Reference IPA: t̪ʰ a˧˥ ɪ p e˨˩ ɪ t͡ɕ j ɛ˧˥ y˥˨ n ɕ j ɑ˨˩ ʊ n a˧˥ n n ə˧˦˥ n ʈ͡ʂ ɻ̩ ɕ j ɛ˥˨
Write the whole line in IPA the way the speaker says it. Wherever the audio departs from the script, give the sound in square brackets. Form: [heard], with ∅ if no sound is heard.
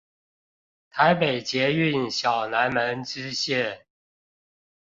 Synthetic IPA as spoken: t̪ʰ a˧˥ ɪ p e˨˩ ɪ t͡ɕ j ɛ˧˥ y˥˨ n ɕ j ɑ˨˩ ʊ n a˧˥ n [m] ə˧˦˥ n ʈ͡ʂ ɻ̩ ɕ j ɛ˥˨